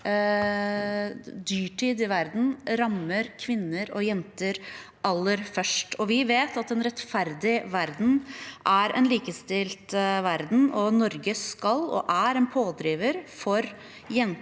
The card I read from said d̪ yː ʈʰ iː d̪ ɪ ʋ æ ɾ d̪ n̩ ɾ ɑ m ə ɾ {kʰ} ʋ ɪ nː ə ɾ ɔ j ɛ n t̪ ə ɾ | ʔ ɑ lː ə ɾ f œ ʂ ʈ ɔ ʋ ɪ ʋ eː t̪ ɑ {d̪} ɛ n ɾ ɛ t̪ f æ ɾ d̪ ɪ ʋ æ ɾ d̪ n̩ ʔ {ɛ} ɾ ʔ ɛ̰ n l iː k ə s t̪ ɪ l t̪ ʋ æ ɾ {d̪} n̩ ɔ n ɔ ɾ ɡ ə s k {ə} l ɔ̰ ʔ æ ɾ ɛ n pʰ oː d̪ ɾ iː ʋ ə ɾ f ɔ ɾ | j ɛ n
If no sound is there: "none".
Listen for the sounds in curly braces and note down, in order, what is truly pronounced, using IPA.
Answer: kʰ, t̪, æ, d̪, ɑ

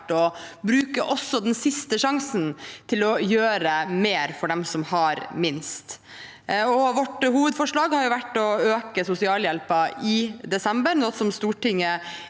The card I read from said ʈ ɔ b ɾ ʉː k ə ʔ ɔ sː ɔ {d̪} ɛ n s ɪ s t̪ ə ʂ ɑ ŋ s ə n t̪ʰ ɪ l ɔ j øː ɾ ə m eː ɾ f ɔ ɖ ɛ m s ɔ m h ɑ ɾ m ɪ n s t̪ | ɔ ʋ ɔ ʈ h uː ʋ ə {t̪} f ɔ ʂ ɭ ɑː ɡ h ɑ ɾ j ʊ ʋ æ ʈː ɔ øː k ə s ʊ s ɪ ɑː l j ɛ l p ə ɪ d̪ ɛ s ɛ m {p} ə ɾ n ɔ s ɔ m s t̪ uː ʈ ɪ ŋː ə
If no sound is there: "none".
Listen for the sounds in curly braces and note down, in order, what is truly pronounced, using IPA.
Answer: d̪, d̪, b

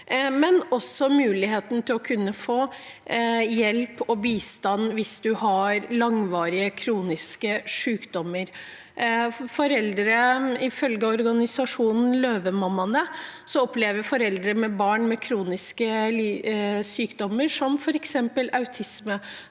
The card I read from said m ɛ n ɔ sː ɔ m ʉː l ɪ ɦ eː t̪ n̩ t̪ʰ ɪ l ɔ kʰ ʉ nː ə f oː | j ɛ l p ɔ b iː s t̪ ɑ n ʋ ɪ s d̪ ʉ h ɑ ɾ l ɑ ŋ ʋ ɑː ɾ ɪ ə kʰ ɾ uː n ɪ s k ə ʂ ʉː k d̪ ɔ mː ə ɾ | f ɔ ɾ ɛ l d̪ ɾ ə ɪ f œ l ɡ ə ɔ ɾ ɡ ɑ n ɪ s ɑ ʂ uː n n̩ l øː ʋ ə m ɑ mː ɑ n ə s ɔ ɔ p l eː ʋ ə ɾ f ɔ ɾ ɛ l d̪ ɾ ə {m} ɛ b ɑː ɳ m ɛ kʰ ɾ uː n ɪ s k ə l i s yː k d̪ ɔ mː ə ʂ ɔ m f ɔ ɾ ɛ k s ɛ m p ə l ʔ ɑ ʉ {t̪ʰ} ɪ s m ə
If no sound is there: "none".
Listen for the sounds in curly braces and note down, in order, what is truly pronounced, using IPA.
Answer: m, t̪ʰ

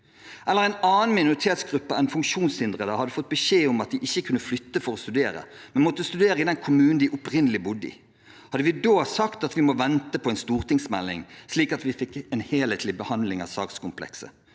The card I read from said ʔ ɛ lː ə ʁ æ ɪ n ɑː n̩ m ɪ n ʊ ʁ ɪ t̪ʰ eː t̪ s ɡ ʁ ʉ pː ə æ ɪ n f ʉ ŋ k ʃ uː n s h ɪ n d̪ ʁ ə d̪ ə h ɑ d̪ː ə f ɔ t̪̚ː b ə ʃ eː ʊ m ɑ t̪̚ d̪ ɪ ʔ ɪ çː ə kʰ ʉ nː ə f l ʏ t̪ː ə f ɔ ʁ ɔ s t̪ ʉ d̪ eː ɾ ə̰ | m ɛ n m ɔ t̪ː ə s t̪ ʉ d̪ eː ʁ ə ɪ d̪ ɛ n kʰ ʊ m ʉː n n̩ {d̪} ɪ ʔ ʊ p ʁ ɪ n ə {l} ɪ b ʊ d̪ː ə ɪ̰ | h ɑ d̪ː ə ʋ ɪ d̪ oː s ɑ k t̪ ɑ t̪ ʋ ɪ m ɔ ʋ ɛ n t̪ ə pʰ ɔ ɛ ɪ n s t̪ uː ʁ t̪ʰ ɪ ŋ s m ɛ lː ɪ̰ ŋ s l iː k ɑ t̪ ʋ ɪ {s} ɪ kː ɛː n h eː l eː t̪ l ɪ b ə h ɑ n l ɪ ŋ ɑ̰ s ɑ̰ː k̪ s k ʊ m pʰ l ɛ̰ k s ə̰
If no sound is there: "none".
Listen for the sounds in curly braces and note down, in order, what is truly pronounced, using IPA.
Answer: d̪, l, f

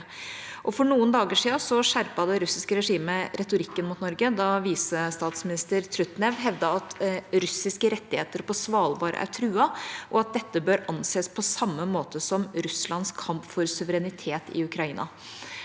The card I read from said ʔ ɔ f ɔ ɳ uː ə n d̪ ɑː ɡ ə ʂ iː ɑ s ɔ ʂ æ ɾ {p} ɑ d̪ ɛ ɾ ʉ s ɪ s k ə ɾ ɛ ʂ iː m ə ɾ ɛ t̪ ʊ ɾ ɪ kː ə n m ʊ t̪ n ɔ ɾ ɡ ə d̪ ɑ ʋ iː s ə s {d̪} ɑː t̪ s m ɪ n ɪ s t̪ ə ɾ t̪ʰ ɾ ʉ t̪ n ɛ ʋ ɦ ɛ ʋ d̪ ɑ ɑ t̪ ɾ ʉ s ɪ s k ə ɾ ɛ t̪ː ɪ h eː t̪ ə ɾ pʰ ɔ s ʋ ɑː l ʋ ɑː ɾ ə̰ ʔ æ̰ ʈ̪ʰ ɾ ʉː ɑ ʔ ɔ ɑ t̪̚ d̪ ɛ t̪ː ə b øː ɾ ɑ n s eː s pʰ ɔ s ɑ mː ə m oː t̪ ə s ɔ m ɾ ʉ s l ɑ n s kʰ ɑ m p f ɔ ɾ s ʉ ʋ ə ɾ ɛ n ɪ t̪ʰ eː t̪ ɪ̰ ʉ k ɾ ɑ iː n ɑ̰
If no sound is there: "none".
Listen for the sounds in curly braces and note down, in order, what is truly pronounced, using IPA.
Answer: p, t̪

